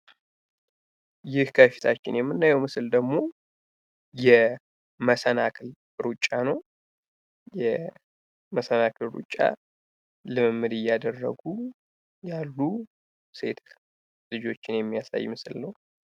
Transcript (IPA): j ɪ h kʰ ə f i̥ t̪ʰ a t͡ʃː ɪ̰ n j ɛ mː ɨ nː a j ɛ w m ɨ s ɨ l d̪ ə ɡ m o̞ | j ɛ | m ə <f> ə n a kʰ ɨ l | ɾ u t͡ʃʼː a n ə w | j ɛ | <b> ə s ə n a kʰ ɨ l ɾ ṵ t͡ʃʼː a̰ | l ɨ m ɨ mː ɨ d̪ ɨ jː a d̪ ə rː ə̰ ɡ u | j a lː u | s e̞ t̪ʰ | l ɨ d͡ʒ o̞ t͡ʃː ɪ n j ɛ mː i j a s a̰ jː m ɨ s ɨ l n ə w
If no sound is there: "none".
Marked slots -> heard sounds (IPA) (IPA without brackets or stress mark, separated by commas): s, m